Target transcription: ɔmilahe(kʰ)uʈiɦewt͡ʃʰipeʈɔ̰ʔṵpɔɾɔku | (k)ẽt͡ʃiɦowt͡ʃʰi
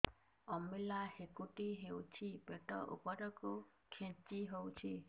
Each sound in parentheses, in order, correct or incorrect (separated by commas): incorrect, incorrect